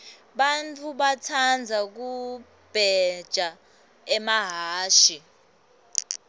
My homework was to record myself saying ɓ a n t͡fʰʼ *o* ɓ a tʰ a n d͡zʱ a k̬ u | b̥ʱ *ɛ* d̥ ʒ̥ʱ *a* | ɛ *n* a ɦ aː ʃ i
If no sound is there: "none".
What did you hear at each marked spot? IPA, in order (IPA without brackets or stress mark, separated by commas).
u, ɛ, a, m